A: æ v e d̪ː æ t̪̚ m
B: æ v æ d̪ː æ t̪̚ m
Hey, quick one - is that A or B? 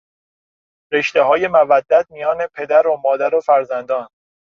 B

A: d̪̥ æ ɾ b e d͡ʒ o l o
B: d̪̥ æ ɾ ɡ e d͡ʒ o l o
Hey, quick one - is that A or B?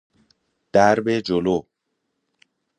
A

